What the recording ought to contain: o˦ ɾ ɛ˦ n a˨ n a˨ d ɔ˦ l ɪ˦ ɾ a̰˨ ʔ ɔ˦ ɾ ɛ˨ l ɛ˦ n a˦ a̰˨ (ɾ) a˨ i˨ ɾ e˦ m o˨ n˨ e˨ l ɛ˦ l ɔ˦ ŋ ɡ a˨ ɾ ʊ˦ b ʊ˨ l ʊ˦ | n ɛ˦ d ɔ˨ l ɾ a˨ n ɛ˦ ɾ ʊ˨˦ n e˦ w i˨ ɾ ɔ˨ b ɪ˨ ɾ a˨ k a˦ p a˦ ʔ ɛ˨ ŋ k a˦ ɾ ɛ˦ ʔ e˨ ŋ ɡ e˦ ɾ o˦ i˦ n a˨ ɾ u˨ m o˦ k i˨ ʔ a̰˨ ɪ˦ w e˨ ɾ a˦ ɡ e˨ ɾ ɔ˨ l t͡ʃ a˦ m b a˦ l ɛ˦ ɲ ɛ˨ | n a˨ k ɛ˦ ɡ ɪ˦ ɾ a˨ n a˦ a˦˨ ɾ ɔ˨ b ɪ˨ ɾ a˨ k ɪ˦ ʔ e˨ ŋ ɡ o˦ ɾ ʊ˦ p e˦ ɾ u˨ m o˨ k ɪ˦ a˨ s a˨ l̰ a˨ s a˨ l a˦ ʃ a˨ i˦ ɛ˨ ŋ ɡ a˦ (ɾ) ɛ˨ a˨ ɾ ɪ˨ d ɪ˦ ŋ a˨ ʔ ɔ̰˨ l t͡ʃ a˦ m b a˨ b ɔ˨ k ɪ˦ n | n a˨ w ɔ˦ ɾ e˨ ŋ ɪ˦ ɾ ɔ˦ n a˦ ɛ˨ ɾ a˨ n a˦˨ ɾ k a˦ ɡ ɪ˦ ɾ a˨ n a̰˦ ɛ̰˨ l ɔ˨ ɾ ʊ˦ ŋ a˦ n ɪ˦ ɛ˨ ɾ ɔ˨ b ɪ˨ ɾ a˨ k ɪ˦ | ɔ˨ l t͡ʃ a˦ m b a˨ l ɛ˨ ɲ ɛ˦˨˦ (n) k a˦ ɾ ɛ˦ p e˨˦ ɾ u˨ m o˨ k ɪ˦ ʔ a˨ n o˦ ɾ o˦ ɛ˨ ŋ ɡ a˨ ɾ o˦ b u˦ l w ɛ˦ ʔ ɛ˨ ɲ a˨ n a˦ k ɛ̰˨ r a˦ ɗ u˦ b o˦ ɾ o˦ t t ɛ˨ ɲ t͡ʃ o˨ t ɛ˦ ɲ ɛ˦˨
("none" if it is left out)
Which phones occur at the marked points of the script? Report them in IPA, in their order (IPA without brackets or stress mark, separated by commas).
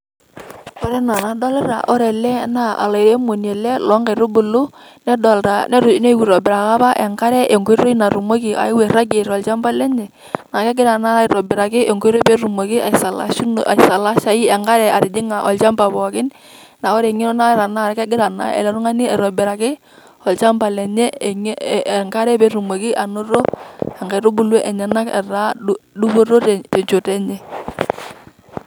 l, ɾ, ŋ